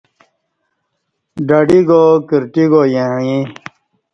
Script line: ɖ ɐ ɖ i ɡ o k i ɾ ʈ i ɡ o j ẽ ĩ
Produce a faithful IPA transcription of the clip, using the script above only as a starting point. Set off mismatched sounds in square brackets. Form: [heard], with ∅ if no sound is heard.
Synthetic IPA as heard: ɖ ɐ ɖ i ɡ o k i ɾ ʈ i ɡ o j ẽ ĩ